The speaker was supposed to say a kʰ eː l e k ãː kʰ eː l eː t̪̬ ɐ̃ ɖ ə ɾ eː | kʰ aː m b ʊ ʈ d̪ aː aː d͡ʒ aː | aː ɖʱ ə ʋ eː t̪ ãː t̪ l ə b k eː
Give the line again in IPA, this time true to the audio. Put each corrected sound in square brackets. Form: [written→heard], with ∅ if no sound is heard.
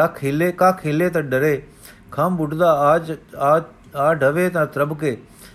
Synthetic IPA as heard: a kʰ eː l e k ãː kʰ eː l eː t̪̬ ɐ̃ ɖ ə ɾ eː | kʰ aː m b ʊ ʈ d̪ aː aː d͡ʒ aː | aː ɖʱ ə ʋ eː t̪ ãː t̪ [l→ɾ] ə b k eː